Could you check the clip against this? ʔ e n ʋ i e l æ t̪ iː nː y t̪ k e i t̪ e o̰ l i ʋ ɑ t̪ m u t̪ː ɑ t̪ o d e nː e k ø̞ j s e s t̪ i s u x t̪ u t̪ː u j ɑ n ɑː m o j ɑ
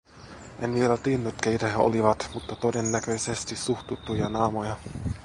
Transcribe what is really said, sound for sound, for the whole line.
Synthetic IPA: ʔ e n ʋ i e l æ t̪ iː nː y t̪ k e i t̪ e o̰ l i ʋ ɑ t̪ m u t̪ː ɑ t̪ o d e nː æ k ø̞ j s e s t̪ i s u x t̪ u t̪ː u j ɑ n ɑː m o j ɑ

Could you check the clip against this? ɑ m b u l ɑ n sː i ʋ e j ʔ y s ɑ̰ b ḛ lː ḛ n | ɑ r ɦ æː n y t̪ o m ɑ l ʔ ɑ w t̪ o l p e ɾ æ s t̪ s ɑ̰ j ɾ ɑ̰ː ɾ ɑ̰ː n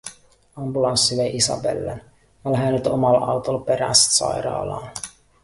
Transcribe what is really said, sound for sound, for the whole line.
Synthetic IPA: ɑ m b u l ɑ n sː i ʋ e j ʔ i s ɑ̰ b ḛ lː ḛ n | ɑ l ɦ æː n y t̪ o m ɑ l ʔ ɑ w t̪ o l p e ɾ æ s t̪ s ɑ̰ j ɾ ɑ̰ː l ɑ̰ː n

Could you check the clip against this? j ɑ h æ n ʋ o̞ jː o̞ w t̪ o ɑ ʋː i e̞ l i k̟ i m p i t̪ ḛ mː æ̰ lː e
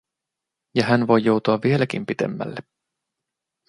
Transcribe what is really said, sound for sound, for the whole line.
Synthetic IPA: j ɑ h æ n ʋ o̞ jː o̞ w t̪ u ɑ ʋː i e̞ l æ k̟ i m p i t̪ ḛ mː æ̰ lː e

